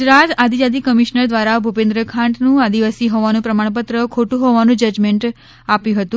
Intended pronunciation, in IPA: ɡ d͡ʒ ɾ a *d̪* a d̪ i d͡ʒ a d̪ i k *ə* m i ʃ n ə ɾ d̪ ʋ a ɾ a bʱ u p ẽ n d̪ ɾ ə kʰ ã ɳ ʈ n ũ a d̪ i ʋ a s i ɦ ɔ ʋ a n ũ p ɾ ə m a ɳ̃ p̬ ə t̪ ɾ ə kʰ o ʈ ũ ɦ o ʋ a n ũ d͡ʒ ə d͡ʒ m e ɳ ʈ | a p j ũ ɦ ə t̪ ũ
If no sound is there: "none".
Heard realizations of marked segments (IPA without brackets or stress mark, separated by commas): t̪, ə